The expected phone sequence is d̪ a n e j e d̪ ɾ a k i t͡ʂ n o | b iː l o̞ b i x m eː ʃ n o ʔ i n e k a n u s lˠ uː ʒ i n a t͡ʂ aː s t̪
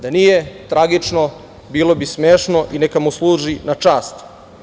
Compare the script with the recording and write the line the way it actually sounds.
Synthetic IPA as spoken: d̪ a n i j e t̪ ɾ a ɡ i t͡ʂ n o | b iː l o̞ b i s m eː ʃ n o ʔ i n e k a m u s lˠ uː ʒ i n a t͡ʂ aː s t̪